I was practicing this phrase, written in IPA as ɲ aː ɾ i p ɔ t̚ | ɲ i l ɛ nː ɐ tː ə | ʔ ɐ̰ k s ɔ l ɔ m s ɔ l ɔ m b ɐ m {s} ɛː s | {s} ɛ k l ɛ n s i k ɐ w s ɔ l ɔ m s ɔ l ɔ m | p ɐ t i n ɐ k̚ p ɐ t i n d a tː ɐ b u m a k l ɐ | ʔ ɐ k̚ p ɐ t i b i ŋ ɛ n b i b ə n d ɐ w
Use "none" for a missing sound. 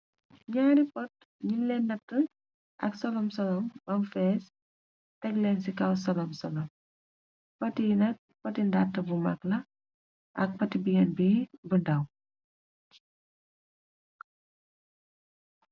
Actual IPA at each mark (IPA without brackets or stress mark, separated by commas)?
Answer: f, t